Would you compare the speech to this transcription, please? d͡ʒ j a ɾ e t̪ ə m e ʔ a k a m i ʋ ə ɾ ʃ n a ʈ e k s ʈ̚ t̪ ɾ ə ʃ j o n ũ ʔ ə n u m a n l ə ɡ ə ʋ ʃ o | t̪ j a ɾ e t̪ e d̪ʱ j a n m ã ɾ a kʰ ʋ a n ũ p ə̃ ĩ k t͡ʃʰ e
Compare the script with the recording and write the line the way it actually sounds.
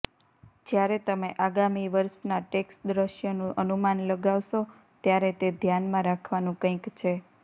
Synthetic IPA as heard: d͡ʒ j a ɾ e t̪ ə m e ʔ a ɡ a m i ʋ ə ɾ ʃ n a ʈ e k s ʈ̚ d̪ ɾ ə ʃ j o n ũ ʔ ə n u m a n l ə ɡ a ʋ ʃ o | t̪ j a ɾ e t̪ e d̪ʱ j a n m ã ɾ a kʰ ʋ a n ũ k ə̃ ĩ k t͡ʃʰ e